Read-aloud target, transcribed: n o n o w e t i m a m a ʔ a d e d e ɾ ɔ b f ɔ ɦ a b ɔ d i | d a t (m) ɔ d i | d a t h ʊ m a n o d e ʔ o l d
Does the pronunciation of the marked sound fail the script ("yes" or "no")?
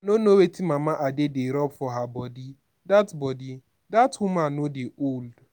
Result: yes